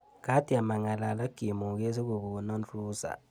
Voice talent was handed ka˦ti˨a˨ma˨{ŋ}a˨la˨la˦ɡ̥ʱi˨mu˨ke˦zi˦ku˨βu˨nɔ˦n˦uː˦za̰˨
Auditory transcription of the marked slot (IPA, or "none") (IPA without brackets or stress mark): ŋ